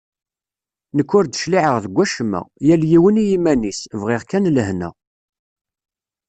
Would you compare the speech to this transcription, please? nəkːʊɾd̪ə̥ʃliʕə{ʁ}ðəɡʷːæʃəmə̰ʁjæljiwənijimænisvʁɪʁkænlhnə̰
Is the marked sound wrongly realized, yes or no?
no